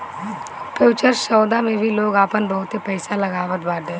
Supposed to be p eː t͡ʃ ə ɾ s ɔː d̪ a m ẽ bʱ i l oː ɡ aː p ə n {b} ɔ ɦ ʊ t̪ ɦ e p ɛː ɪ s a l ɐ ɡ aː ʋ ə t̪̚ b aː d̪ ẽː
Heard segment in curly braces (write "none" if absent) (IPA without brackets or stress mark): b